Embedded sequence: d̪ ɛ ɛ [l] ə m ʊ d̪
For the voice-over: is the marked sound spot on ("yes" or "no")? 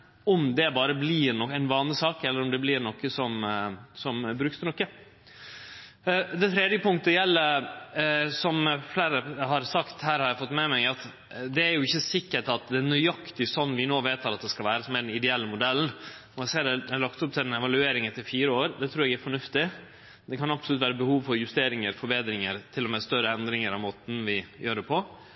no